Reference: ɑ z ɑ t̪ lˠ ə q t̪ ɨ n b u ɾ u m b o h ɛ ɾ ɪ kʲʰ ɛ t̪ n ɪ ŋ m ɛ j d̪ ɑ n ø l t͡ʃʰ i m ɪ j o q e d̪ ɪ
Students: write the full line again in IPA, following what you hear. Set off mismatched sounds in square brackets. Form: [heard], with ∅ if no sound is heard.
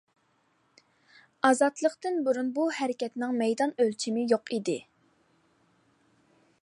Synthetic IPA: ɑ z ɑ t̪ lˠ ə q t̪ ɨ n b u ɾ u [n] b [u] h ɛ ɾ ɪ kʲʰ ɛ t̪ n ɪ ŋ m ɛ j d̪ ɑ n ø l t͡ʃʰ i m ɪ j o q [i] d̪ ɪ